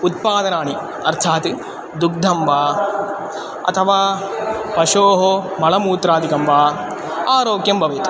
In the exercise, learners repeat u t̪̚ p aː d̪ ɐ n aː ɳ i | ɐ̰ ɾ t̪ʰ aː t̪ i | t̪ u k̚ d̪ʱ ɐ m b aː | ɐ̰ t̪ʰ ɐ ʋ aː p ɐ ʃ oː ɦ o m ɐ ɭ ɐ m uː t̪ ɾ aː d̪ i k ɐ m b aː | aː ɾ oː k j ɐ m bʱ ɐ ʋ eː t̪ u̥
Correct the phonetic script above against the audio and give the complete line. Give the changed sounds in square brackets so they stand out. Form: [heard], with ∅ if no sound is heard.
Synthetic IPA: u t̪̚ p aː d̪ ɐ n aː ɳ i | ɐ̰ ɾ t̪ʰ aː t̪ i | [d̪] u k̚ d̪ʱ ɐ m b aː | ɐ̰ t̪ʰ ɐ ʋ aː p ɐ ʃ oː ɦ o m ɐ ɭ ɐ m uː t̪ ɾ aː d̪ i k ɐ m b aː | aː ɾ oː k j ɐ m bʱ ɐ ʋ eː t̪ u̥

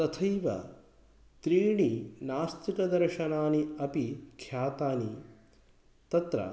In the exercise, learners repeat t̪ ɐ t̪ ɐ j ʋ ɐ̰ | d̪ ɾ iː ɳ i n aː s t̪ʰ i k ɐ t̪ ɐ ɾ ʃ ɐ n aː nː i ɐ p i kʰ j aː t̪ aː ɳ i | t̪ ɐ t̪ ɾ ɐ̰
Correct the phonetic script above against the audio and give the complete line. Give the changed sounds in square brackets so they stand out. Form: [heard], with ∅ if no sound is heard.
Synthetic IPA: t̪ ɐ [t̪ʰ] ɐ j ʋ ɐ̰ | [t̪] ɾ iː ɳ i n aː s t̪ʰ i k ɐ [d̪] ɐ ɾ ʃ ɐ n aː [n] i ɐ p i kʰ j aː t̪ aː [n] i | t̪ ɐ t̪ ɾ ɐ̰

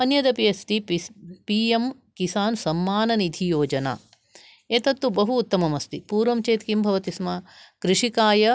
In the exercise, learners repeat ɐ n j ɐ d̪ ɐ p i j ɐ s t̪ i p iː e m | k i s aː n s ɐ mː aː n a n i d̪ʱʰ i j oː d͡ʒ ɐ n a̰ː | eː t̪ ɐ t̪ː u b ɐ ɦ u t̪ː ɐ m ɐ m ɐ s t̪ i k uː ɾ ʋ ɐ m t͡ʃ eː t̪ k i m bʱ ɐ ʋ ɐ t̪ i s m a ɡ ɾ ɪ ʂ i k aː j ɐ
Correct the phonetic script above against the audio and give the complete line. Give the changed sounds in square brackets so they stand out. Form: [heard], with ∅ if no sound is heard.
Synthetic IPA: ɐ n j ɐ d̪ ɐ p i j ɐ s t̪ i p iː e m | k i s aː n s ɐ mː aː n [ɐ] n i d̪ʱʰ i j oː d͡ʒ ɐ n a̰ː | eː t̪ ɐ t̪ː u b ɐ ɦ [uː] t̪ː ɐ m ɐ m ɐ s t̪ i [p] uː ɾ ʋ ɐ m t͡ʃ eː t̪ k i m bʱ ɐ ʋ ɐ t̪ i s m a [k] ɾ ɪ ʂ i k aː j ɐ

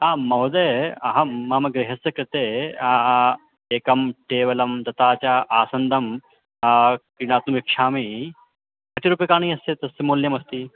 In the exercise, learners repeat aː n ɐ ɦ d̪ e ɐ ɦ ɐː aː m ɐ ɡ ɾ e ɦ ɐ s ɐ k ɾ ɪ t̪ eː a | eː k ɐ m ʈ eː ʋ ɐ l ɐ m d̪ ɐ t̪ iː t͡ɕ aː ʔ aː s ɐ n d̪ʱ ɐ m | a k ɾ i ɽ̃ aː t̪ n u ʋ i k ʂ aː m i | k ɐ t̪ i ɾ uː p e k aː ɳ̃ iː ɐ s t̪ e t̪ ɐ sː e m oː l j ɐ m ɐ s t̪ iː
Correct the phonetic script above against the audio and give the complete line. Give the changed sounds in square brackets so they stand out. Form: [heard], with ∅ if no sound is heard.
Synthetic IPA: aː [m] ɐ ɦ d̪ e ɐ ɦ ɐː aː m ɐ ɡ ɾ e ɦ ɐ s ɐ k ɾ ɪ t̪ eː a | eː k ɐ m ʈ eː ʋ ɐ l ɐ m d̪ ɐ t̪ [aː] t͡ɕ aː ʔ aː s ɐ n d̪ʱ ɐ m | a k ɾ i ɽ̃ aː t̪ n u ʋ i k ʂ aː m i | k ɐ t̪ i ɾ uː p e k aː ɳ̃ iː ɐ s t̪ e t̪ ɐ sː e m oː l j ɐ m ɐ s t̪ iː

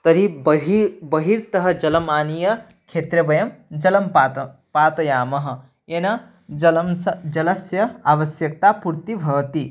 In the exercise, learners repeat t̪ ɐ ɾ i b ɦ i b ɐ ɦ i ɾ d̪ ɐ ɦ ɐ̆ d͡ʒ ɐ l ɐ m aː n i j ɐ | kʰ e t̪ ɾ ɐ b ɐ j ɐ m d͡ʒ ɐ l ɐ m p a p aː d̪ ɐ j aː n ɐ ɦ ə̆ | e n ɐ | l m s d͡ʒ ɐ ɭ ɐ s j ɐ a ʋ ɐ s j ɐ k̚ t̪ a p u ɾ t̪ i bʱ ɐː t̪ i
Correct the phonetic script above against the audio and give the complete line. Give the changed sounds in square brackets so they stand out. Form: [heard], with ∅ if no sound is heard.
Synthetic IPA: t̪ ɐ ɾ i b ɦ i b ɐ ɦ i ɾ [t̪] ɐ ɦ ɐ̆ d͡ʒ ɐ l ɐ m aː n i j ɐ | kʰ e t̪ ɾ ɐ b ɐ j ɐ m d͡ʒ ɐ l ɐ m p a p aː [t̪] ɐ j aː [m] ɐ ɦ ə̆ | e n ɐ | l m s d͡ʒ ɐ [l] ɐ s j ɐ a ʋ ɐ s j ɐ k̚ t̪ a p u ɾ t̪ i bʱ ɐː t̪ i

